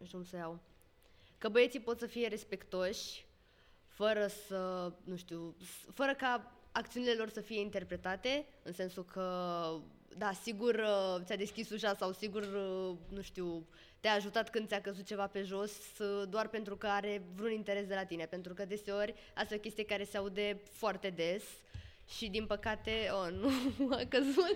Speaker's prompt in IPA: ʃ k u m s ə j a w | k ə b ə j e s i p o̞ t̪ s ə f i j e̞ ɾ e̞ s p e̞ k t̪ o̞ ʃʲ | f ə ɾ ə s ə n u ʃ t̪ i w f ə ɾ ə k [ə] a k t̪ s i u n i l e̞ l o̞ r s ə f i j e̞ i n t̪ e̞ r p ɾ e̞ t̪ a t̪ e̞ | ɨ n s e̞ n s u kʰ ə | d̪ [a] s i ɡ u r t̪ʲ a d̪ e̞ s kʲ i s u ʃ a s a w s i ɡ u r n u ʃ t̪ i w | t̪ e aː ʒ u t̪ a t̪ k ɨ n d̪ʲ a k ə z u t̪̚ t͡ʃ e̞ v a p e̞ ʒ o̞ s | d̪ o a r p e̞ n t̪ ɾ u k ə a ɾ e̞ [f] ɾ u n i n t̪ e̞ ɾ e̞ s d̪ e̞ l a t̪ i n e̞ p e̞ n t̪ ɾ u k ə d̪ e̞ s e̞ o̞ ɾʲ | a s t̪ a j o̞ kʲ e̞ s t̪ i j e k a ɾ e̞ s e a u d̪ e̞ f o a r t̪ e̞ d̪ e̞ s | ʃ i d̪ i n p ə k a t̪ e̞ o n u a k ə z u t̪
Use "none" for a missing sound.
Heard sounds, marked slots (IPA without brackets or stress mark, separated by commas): a, a, v